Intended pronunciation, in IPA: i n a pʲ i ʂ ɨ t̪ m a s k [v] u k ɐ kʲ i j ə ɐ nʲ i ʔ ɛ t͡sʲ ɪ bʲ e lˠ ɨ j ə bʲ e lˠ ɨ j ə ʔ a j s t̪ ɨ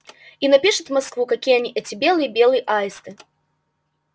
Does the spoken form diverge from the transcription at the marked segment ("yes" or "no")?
no